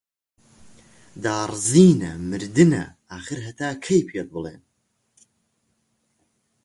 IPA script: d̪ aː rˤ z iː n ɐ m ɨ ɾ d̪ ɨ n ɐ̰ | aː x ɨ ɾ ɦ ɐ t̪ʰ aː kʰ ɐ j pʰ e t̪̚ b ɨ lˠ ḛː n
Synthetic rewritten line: d̪ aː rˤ z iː n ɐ m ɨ ɾ d̪ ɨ n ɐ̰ | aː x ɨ ɾ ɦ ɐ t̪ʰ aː kʰ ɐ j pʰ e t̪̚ b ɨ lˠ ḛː n